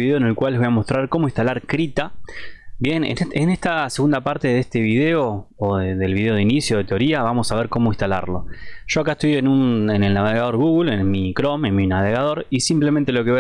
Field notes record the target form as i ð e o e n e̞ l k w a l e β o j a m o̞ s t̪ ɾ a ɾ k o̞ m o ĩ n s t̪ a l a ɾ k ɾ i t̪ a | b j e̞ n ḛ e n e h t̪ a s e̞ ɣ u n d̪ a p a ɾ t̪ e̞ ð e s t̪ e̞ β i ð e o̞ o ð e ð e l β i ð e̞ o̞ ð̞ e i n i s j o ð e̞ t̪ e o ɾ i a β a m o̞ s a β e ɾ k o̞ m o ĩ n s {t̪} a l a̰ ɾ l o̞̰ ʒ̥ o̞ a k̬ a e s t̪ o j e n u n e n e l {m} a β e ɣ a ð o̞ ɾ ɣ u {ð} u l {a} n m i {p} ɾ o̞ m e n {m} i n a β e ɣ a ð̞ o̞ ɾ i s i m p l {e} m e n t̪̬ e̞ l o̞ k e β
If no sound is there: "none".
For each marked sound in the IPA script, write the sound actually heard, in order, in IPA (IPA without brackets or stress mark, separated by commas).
t̪, n, ɣ, e, k, m, e